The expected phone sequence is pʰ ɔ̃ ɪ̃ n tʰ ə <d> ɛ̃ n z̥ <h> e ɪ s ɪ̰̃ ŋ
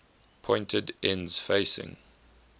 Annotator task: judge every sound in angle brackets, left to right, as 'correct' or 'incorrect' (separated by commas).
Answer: correct, incorrect